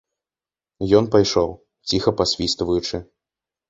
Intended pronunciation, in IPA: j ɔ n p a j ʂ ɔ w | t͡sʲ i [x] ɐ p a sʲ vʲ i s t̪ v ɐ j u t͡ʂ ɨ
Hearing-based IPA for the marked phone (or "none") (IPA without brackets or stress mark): x